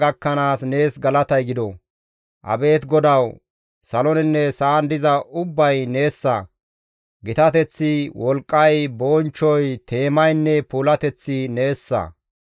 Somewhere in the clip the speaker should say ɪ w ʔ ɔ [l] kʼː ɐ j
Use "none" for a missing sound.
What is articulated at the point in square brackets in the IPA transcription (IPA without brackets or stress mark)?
l